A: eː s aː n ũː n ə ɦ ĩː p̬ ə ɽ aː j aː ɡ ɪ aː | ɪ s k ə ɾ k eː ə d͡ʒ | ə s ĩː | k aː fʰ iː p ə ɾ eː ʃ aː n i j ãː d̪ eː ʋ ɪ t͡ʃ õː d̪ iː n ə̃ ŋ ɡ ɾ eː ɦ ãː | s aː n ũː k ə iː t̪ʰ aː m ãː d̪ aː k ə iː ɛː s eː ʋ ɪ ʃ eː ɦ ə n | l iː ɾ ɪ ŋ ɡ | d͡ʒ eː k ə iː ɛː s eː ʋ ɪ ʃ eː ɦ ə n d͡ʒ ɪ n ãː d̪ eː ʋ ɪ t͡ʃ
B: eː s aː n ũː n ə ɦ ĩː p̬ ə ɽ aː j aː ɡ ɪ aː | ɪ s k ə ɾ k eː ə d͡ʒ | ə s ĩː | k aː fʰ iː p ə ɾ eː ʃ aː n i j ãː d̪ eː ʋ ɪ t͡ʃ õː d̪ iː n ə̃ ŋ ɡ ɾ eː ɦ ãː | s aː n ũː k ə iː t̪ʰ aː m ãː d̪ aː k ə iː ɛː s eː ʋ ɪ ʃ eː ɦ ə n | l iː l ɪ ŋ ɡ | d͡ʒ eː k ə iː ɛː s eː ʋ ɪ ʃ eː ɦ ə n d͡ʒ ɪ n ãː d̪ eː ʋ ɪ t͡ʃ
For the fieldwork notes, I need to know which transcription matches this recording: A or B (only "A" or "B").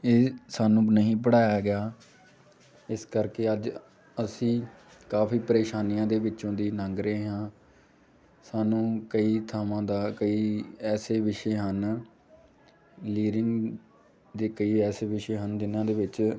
A